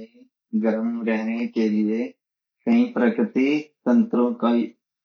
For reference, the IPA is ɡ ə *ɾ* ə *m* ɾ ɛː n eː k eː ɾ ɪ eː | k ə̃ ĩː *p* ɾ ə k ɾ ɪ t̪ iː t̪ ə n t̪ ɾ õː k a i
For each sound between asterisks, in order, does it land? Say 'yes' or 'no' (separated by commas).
yes, yes, yes